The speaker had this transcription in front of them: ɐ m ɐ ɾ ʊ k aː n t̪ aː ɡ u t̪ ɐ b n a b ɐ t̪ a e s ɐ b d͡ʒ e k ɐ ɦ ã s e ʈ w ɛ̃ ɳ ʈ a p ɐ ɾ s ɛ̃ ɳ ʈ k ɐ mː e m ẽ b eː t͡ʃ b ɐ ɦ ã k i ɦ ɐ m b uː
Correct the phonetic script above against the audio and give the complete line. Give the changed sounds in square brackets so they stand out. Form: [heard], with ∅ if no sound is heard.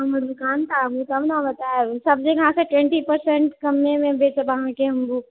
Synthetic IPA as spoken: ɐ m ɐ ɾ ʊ k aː n t̪ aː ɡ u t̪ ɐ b n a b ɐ t̪ a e s ɐ b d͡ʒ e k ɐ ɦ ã s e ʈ w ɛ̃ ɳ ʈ [i] p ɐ ɾ s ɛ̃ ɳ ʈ k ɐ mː e m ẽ b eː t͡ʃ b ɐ ɦ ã k [e] ɦ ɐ m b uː